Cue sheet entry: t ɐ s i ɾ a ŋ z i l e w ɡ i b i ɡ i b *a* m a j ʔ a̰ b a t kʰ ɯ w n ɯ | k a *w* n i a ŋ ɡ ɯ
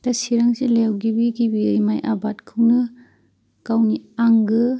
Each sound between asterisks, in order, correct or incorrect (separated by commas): incorrect, correct